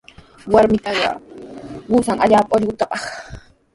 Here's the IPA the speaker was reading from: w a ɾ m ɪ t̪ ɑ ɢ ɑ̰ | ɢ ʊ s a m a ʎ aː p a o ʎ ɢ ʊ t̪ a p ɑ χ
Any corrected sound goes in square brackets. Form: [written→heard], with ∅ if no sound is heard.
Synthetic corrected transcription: w a ɾ m ɪ t̪ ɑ ɢ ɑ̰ | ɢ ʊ s a [m→ŋ] a ʎ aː p a o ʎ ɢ ʊ t̪ a p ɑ χ